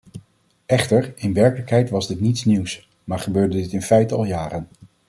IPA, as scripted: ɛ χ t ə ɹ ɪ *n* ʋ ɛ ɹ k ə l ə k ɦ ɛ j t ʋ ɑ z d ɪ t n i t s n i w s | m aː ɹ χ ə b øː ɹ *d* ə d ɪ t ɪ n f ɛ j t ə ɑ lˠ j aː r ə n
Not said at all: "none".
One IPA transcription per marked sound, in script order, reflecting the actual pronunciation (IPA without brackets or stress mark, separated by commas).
n, d